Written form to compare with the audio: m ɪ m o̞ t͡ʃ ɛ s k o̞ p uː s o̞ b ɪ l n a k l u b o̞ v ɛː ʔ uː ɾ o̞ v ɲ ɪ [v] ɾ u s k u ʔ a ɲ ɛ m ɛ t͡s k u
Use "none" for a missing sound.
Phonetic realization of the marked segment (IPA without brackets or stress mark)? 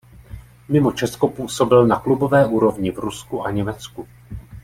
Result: v